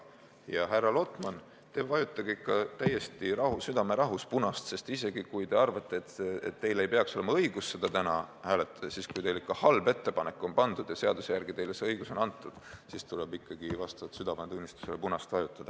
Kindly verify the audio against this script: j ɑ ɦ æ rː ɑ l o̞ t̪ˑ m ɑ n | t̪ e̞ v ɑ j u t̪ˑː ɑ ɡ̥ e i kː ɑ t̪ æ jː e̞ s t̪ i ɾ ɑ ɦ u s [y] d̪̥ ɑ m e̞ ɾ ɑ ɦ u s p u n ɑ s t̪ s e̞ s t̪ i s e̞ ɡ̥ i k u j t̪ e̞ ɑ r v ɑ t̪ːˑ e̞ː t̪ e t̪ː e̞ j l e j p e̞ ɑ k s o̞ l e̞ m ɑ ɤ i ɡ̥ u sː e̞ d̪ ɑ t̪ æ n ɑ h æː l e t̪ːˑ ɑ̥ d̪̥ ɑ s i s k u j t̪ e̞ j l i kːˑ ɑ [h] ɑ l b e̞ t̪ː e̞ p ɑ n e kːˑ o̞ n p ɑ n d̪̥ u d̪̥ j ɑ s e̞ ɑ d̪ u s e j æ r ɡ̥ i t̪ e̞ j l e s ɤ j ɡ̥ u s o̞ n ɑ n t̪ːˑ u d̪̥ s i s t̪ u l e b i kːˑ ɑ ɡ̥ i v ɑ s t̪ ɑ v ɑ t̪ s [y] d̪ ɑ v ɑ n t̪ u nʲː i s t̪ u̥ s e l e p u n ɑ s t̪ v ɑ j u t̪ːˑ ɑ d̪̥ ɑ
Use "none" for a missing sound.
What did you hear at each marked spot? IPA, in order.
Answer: y, h, y

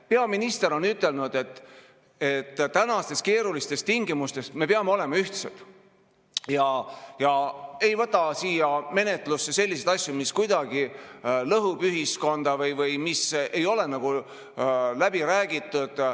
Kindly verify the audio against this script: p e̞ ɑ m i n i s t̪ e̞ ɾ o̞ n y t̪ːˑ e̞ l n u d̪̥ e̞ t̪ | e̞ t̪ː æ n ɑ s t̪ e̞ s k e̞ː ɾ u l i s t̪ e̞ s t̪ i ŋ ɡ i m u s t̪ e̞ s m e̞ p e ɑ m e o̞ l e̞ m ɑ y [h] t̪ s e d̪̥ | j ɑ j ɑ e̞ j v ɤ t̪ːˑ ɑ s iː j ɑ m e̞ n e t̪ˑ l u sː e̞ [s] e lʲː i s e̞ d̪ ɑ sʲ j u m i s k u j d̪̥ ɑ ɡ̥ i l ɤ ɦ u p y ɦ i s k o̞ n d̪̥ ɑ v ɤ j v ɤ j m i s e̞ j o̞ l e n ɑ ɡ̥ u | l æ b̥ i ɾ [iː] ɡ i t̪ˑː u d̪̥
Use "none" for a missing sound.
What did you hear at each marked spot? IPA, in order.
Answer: h, s, æː

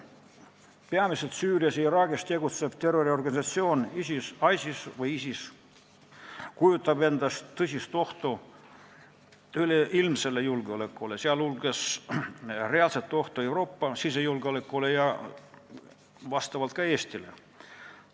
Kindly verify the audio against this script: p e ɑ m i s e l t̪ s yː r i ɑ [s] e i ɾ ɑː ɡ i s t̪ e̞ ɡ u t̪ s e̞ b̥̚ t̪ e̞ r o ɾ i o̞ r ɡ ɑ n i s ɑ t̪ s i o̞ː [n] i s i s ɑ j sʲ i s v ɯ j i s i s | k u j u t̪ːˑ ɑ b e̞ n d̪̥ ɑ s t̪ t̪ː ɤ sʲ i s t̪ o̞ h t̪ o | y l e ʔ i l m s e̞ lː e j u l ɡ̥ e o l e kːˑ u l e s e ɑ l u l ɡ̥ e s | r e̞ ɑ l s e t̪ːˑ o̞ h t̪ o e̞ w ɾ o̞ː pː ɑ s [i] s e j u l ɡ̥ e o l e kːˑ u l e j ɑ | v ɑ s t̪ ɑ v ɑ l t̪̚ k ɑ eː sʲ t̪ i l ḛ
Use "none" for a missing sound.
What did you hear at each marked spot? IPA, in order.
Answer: s, n, i

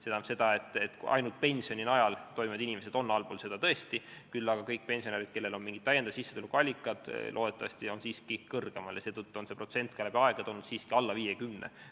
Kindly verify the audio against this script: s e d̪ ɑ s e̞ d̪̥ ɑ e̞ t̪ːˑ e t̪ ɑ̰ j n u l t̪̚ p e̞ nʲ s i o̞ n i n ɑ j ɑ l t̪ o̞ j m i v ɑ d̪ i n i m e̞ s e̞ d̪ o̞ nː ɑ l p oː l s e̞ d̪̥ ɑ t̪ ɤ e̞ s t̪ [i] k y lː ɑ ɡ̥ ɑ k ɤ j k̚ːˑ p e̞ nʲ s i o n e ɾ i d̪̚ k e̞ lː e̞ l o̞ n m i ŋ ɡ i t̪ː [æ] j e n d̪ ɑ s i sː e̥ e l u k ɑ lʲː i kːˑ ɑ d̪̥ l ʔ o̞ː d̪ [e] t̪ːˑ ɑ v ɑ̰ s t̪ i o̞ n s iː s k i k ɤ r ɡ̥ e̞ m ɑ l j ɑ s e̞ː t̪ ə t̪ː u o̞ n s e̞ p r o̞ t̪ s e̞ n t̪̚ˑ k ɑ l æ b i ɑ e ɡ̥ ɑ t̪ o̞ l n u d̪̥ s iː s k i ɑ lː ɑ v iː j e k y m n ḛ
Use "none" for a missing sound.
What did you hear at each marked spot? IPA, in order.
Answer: i, æ, e

